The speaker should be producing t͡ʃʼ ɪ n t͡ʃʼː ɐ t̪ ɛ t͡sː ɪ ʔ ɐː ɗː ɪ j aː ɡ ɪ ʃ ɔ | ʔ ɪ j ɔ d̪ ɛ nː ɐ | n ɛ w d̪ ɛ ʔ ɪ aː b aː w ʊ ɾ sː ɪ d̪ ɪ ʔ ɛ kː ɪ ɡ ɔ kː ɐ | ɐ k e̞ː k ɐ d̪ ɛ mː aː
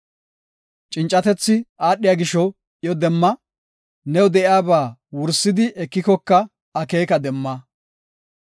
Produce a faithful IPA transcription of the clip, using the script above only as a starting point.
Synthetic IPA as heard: t͡ʃʼ ɪ n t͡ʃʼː ɐ t̪ ɛ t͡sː ɪ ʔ aː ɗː ɪ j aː ɡ ɪ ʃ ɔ | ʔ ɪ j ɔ d̪ ɛ mː ɐ | n ɛ w d̪ ɛ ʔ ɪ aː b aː w ʊ ɾ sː ɪ d̪ ɪ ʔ ɛ kː ɪ k ɔ kː ɐ | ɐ k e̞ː k ɐ d̪ ɛ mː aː